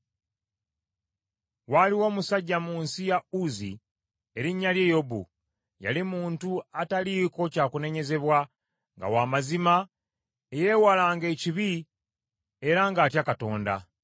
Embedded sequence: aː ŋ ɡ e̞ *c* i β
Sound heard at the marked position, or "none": c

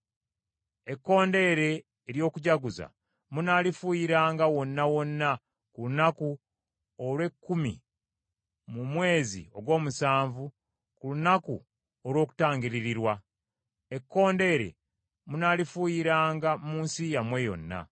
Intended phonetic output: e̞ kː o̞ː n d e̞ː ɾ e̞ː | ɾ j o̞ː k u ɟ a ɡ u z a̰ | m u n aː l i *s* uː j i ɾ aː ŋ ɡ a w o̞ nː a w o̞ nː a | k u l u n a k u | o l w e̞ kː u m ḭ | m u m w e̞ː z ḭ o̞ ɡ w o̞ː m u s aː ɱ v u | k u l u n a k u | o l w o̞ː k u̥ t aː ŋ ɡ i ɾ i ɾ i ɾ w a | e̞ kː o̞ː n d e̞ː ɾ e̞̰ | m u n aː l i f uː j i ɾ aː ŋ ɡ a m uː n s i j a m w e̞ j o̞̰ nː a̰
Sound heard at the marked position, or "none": f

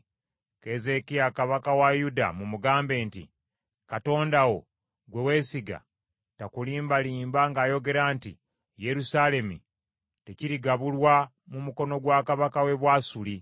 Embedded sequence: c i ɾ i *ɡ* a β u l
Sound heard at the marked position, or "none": ɡ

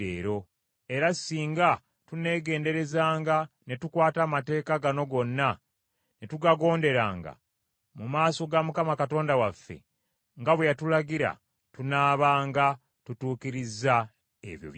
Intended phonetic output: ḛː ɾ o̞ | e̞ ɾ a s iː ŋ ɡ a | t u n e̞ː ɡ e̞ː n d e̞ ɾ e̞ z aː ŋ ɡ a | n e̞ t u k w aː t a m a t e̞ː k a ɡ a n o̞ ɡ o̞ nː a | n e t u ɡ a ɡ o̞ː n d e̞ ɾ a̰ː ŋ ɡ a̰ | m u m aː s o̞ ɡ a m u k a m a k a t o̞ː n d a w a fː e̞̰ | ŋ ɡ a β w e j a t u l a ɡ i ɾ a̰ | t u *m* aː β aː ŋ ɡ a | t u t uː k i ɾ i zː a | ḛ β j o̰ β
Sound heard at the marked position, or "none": n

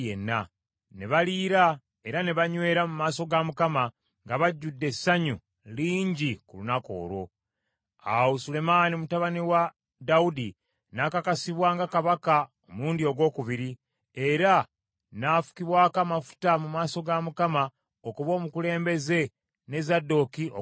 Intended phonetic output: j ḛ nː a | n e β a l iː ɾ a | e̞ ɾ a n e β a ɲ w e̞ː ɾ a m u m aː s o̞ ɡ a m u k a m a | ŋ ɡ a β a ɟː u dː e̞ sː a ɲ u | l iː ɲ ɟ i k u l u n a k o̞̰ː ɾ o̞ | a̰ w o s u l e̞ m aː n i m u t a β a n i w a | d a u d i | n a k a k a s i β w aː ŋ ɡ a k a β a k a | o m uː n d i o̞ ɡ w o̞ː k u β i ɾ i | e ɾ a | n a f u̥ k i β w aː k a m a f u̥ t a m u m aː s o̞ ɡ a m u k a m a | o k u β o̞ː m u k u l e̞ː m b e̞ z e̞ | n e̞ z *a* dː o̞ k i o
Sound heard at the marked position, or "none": a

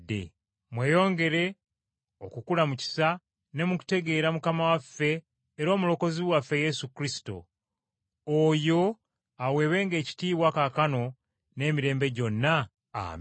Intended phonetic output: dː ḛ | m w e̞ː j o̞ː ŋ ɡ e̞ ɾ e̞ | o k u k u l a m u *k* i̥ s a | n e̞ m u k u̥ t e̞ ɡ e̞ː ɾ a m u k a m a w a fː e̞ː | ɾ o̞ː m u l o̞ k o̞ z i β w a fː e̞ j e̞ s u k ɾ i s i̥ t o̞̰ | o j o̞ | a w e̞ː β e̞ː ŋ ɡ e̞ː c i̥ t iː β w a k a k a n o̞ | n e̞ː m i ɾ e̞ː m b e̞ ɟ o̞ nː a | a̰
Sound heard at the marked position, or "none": c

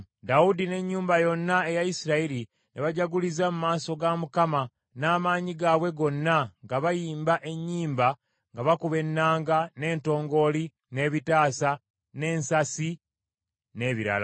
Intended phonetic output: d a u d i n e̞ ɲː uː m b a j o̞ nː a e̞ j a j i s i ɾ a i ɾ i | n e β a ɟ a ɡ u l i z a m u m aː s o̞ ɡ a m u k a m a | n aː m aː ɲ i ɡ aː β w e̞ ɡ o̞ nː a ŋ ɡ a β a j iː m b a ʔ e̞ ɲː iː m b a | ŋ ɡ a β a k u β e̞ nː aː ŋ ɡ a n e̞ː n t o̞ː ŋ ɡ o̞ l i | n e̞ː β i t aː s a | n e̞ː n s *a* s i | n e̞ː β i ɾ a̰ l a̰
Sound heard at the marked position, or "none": a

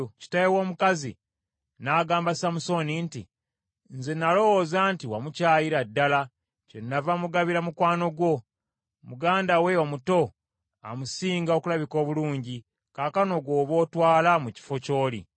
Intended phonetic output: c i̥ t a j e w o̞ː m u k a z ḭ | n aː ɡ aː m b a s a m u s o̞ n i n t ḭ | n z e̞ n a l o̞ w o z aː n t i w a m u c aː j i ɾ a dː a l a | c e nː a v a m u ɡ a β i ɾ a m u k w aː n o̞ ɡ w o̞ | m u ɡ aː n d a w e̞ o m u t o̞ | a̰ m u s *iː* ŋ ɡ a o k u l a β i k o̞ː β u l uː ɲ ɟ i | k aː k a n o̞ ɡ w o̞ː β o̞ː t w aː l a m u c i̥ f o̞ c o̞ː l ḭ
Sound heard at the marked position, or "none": iː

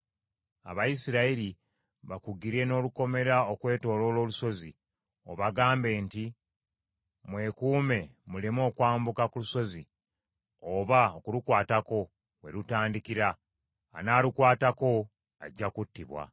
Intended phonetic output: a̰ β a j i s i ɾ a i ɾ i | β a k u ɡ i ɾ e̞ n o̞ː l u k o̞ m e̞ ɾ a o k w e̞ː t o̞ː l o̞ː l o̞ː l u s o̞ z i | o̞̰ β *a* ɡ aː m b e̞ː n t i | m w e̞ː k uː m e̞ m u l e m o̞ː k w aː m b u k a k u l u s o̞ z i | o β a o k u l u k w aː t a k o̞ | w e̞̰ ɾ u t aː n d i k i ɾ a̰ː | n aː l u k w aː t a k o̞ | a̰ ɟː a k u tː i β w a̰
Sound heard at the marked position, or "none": a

